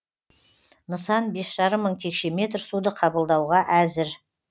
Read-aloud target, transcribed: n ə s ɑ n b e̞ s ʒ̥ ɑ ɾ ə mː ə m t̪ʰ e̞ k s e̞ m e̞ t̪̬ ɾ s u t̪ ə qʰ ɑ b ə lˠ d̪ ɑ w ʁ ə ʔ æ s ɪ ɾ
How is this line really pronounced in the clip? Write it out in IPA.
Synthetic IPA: n ə s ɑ n b e̞ s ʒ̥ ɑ ɾ ə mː ə ɴ t̪ʰ e̞ k ʃ e̞ m e̞ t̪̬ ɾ s u d̪ ə qʰ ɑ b ə lˠ d̪ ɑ w ʁ ɑ ʔ æ z ɪ ɾ